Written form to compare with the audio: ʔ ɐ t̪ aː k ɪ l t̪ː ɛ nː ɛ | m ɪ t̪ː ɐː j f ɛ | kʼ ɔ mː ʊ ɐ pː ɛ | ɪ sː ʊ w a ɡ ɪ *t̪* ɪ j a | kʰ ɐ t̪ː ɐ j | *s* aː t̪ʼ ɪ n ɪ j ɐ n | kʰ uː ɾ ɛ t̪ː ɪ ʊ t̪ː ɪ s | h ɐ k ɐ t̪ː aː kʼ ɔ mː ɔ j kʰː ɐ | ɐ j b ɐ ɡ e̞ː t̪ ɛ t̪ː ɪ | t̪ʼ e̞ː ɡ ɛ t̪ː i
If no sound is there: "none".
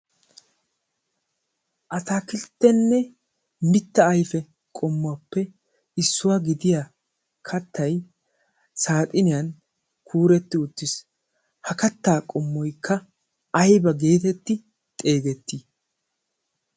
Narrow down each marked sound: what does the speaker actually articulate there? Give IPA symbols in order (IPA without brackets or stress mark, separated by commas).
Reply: d̪, s